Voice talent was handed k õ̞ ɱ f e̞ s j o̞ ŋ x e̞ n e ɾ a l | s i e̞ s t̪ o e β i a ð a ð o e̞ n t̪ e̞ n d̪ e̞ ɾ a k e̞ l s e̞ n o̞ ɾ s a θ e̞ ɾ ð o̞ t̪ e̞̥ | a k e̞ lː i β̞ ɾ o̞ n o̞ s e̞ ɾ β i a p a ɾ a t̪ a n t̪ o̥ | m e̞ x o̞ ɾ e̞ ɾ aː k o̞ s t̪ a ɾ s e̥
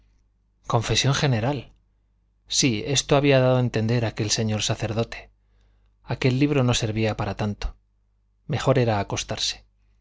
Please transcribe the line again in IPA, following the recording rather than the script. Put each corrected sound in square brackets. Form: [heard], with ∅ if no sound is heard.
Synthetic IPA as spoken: k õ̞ ɱ f e̞ s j o̞ ŋ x e̞ n e ɾ a l | s i e̞ s t̪ o [a] β i a ð a ð o e̞ n t̪ e̞ n d̪ e̞ ɾ a k e̞ l s e̞ [ɲ] o̞ ɾ s a θ e̞ ɾ ð o̞ t̪ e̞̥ | a k e̞ lː i β̞ ɾ o̞ n o̞ s e̞ ɾ β i a p a ɾ a t̪ a n t̪ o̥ | m e̞ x o̞ ɾ e̞ ɾ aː k o̞ s t̪ a ɾ s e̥

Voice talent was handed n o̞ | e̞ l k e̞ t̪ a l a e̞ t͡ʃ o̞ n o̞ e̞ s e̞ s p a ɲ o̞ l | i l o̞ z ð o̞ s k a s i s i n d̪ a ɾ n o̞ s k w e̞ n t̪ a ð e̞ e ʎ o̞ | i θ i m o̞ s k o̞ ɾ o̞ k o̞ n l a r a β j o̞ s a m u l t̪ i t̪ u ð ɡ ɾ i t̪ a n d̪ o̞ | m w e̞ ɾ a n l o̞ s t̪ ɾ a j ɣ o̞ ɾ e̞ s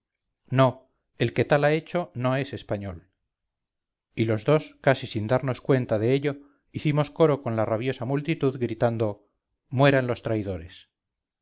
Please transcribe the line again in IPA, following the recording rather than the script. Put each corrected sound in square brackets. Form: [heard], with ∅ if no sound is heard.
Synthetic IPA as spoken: n o̞ | e̞ l k e̞ t̪ a l a e̞ t͡ʃ o̞ n o̞ e̞ s e̞ s p a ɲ o̞ l | i l o̞ z ð o̞ s k a s i s i n d̪ a ɾ n o̞ s k w e̞ n t̪ a ð e̞ e ʎ o̞ | i θ i m o̞ s k o̞ ɾ o̞ k o̞ n l a r a β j o̞ s a m u l t̪ i t̪ u ð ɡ ɾ i t̪ a n d̪ o̞ | m w e̞ ɾ a n l o̞ s t̪ ɾ a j [ð] o̞ ɾ e̞ s

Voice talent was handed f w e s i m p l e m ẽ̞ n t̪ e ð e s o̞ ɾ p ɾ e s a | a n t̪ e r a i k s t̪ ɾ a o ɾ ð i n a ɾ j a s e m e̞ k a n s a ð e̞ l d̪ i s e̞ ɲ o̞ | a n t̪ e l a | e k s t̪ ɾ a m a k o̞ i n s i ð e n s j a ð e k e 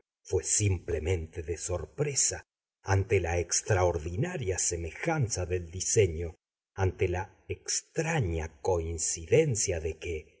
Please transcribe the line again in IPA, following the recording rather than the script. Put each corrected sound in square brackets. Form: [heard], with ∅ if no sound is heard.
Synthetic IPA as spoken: f w e s i m p l e m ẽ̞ n t̪ e ð e s o̞ ɾ p ɾ e s a | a n t̪ e [l] a [e] k s t̪ ɾ a o ɾ ð i n a ɾ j a s e m e̞ [x] a n s a ð e̞ l d̪ i s e̞ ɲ o̞ | a n t̪ e l a | e k s t̪ ɾ a [ɲ] a k o̞ i n s i ð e n s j a ð e k e

